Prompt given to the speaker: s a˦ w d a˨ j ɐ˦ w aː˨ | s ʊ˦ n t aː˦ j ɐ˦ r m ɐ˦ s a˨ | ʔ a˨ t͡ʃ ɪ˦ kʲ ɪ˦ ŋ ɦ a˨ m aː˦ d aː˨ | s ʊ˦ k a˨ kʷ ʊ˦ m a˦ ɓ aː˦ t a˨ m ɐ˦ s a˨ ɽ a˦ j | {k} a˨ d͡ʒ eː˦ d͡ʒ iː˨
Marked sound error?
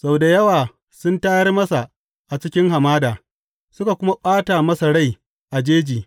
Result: yes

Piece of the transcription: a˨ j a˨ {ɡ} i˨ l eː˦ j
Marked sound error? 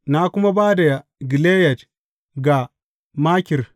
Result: no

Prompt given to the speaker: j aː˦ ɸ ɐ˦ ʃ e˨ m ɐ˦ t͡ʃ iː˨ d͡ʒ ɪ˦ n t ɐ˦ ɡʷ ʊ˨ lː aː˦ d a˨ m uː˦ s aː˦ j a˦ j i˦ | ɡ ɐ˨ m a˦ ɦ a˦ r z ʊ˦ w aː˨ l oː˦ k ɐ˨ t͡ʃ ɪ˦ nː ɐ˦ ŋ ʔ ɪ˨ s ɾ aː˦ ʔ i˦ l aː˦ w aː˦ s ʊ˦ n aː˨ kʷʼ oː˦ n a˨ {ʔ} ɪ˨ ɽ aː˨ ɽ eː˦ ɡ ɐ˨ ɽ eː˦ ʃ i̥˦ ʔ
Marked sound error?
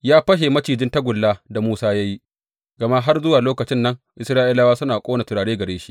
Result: yes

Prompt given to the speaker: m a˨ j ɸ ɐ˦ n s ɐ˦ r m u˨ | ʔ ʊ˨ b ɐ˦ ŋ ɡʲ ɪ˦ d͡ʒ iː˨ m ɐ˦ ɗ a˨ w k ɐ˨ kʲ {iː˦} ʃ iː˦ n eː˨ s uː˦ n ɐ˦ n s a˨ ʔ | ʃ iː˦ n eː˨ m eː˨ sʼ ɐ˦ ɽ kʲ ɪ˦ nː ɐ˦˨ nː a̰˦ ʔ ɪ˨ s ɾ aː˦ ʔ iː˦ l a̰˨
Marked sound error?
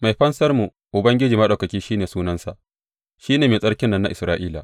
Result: no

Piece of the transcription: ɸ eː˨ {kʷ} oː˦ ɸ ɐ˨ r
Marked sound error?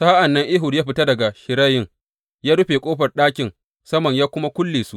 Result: yes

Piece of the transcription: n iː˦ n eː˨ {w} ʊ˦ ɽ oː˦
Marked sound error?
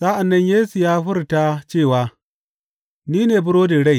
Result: yes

